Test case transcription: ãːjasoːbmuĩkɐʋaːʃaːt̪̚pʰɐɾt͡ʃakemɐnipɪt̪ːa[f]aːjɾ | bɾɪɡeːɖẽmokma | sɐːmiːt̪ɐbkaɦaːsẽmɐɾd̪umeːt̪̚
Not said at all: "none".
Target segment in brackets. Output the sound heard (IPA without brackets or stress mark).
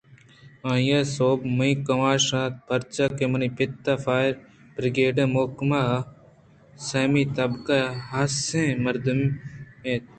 f